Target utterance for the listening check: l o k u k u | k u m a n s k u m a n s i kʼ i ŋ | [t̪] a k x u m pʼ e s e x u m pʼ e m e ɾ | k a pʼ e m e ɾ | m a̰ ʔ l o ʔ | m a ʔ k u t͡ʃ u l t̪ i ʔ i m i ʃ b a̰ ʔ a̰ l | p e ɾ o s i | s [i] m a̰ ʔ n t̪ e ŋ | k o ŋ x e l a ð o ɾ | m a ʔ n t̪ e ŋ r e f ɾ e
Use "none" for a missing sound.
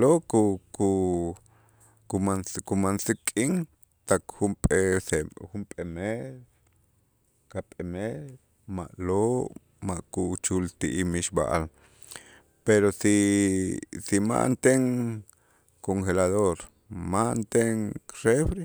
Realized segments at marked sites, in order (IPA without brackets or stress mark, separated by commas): t̪, i